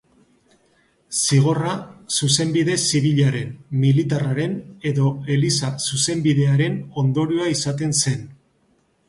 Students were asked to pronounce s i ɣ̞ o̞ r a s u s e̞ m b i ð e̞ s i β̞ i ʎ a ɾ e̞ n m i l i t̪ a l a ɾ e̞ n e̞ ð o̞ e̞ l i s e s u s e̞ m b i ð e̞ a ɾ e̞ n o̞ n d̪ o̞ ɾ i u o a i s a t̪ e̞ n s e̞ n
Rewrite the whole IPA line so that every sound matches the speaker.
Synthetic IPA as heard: s i ɣ̞ o̞ r a s u s e̞ m b i ð e̞ s i β̞ i ʎ a ɾ e̞ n m i l i t̪ a r a ɾ e̞ n e̞ ð o̞ e̞ l i s a s u s e̞ m b i ð e̞ a ɾ e̞ n o̞ n d̪ o̞ ɾ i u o a i s a t̪ e̞ n s e̞ n